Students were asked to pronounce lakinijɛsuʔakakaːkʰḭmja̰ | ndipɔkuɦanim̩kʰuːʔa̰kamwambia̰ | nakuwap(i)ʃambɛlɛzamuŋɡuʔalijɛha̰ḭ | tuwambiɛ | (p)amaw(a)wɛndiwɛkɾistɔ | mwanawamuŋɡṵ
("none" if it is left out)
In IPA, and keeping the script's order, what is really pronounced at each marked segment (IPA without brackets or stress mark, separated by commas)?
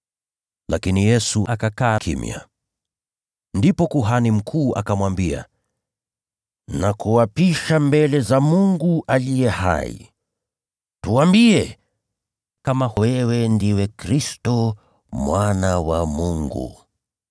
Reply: i, k, ɛ